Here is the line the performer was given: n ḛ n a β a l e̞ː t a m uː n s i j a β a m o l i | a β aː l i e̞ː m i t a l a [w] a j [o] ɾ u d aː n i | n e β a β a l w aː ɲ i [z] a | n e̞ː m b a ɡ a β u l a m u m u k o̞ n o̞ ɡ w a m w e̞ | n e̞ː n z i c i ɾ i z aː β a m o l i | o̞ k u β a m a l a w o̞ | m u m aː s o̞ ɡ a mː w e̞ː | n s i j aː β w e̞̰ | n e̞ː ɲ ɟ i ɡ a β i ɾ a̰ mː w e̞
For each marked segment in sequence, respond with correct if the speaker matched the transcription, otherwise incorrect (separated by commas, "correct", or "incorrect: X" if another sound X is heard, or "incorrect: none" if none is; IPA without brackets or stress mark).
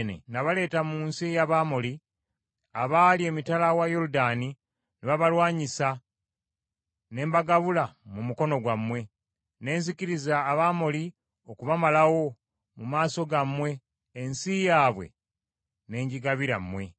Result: correct, correct, incorrect: s